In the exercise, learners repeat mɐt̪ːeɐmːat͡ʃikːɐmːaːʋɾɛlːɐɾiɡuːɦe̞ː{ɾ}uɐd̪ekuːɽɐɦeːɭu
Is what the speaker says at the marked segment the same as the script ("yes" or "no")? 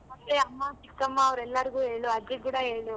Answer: no